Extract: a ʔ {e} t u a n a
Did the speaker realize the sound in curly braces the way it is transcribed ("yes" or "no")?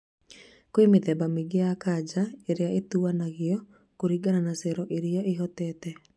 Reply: yes